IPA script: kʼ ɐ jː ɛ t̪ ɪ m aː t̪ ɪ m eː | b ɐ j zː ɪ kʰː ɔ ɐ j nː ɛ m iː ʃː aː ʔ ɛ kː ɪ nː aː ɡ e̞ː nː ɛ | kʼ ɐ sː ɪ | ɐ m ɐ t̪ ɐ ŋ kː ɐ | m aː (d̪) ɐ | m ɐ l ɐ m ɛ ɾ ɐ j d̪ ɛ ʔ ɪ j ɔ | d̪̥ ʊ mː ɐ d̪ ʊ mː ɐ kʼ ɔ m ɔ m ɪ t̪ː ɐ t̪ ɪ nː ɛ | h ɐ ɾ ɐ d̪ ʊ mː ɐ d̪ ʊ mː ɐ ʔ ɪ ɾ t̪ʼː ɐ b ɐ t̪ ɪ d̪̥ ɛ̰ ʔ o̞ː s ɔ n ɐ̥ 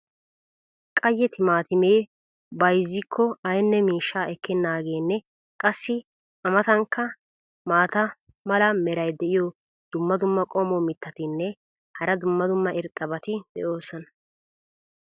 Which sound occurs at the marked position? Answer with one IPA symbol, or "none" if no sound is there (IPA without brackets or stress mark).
t̪